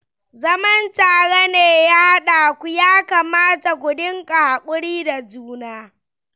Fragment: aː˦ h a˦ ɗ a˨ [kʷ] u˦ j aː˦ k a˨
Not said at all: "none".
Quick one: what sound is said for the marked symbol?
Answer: kʷ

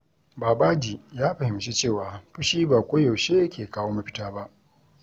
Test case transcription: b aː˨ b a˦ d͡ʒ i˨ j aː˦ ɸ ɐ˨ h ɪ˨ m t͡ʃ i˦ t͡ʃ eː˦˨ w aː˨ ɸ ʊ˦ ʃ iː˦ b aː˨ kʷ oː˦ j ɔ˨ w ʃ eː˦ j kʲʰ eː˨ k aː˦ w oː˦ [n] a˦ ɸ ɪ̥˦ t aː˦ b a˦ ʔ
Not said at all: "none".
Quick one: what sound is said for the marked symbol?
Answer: m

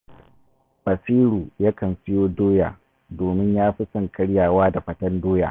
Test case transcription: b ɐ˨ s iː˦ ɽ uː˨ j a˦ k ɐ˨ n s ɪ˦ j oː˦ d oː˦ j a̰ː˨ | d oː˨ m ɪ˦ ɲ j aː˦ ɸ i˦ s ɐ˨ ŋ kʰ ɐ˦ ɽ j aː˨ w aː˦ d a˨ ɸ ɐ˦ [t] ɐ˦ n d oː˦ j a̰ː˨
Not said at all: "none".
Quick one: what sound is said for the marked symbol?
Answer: t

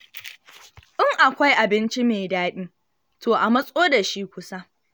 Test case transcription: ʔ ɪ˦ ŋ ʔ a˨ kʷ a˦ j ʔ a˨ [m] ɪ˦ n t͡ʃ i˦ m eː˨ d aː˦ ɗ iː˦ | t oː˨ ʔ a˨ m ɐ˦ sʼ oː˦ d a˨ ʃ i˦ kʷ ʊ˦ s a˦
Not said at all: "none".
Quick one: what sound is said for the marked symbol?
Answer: b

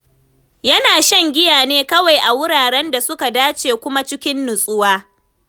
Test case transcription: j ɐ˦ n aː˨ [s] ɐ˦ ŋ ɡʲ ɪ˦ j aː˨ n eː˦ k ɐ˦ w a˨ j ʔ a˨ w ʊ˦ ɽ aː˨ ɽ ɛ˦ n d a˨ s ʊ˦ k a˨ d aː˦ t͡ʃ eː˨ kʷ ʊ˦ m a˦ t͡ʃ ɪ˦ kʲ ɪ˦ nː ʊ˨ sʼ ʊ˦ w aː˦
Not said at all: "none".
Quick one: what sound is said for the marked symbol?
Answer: ʃ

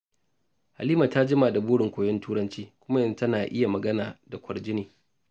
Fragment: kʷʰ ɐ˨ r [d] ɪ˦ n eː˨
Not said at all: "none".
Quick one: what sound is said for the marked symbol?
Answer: d͡ʒ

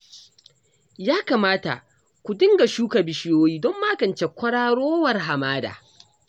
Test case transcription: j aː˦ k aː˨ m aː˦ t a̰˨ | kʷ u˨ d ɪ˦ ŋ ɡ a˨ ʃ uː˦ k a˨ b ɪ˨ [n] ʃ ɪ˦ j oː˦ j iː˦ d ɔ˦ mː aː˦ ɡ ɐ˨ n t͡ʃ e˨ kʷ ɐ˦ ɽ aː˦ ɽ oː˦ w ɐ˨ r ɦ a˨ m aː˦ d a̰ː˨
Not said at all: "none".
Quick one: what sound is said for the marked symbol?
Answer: none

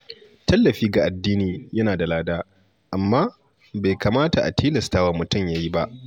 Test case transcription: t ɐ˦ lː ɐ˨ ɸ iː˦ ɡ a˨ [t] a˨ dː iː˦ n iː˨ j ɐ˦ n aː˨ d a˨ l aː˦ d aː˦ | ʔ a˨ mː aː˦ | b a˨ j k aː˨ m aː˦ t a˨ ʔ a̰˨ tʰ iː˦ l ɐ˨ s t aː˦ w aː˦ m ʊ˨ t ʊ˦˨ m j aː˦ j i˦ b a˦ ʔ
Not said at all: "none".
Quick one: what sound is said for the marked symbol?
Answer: ʔ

